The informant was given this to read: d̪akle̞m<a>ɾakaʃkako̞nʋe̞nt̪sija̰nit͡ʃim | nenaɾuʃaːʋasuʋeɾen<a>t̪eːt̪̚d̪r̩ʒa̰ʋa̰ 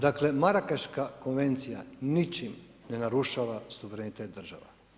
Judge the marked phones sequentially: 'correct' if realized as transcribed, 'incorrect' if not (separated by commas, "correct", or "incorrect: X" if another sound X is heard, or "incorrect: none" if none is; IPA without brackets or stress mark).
correct, incorrect: i